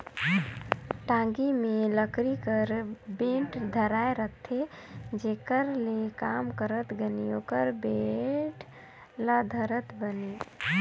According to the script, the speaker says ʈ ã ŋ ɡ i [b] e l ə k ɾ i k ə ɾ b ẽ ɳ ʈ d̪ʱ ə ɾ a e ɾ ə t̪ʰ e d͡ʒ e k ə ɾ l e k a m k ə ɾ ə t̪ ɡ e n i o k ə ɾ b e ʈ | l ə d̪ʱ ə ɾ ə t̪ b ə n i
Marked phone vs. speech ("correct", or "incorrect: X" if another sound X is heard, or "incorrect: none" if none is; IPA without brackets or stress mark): incorrect: m